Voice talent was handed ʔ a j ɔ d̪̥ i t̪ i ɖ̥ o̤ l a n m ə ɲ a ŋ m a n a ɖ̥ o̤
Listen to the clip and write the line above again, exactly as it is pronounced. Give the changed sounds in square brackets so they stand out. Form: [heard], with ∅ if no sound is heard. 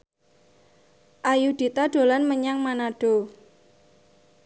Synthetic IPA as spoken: ʔ a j [u] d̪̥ i t̪ [a] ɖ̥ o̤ l a n m ə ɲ a ŋ m a n a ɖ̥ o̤

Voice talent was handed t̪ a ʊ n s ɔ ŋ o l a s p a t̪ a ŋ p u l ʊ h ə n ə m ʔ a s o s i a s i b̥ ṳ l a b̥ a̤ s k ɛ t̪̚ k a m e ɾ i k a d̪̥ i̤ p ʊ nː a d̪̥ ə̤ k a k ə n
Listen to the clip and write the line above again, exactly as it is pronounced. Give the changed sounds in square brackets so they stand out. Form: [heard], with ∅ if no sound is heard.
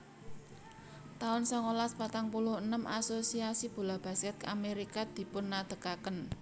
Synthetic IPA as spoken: t̪ a ʊ n s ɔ ŋ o l a s p a t̪ a ŋ p u l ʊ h ə n ə m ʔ a s o s i a s i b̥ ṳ l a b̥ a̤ s k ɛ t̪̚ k a m e ɾ i k a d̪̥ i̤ p ʊ nː a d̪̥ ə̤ k a k ə n

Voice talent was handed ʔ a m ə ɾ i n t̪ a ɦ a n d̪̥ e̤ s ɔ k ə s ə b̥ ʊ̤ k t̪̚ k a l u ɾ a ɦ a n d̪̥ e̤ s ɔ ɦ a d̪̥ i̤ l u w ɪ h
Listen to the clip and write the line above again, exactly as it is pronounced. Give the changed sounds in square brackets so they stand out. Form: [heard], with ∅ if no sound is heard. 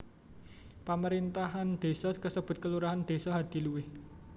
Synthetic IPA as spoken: [p] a m ə ɾ i n t̪ a ɦ a n d̪̥ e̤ s ɔ k ə s ə b̥ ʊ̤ [∅] t̪̚ k [ə] l u ɾ a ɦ a n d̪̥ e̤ s ɔ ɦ a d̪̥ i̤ l u w ɪ h

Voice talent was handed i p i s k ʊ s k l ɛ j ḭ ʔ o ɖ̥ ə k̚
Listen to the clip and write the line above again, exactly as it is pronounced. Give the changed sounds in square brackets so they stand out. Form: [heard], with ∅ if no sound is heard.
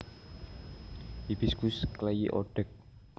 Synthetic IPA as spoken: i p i s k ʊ s k l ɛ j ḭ ʔ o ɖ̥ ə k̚

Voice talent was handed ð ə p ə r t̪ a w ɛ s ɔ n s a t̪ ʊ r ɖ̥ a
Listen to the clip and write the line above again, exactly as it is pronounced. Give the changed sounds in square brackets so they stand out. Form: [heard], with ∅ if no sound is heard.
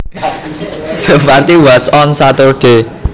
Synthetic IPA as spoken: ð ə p [a] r t̪ [i] w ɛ s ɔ n s a t̪ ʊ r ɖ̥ [e]

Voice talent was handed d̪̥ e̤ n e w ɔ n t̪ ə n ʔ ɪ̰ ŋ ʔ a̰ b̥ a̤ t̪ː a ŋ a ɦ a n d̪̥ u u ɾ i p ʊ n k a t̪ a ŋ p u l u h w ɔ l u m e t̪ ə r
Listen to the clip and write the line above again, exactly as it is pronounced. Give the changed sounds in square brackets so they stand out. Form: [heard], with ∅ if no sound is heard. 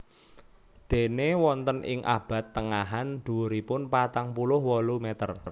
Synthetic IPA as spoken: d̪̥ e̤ n e w ɔ n t̪ ə n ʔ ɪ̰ ŋ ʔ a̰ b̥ a̤ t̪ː [ə] ŋ a ɦ a n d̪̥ u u ɾ i p ʊ n [p] a t̪ a ŋ p u l [ʊ] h w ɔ l u m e t̪ ə r

